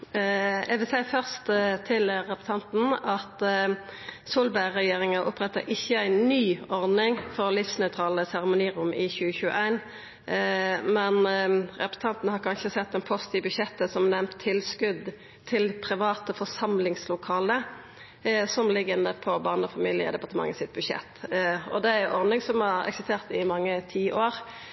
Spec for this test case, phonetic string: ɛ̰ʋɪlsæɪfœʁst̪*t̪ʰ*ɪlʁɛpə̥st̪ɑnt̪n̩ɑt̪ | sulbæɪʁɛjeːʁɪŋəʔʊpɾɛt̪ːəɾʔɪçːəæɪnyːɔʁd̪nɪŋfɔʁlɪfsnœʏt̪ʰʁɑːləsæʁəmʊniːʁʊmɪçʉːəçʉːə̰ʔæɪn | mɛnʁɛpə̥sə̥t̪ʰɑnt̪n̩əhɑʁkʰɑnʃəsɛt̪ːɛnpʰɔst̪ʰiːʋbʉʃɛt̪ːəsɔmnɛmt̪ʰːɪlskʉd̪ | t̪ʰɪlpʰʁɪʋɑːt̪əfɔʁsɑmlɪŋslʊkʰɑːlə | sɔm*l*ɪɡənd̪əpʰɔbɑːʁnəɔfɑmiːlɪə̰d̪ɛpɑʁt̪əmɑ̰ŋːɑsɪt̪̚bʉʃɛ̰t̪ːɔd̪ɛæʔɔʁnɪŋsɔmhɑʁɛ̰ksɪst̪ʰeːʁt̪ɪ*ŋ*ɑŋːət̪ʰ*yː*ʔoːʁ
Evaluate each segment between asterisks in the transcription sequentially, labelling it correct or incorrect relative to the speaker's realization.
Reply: correct, correct, incorrect, incorrect

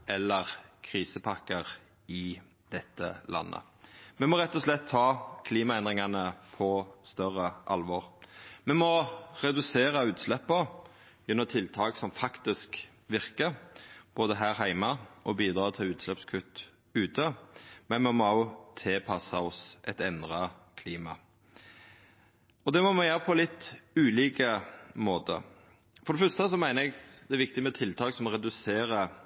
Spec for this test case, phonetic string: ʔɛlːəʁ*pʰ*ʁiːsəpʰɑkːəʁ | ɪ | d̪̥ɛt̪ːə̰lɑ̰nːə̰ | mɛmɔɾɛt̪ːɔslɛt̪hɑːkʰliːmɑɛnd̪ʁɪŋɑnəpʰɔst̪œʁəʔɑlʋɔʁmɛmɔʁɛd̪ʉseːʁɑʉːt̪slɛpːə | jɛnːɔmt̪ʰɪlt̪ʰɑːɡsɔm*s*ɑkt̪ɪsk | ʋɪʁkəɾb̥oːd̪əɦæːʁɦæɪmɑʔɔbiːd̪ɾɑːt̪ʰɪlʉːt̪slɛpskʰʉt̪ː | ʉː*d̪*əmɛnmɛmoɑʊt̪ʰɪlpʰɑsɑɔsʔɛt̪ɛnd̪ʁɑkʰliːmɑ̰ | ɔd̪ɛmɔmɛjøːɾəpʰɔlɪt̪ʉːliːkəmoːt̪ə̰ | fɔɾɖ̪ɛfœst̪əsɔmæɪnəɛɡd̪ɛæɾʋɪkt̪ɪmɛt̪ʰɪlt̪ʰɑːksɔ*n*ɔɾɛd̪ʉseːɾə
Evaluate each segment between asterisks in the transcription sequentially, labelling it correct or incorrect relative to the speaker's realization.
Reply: incorrect, incorrect, incorrect, incorrect

